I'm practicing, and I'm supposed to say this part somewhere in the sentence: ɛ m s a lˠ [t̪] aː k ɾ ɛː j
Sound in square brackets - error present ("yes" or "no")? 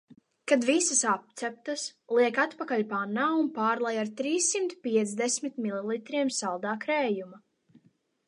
yes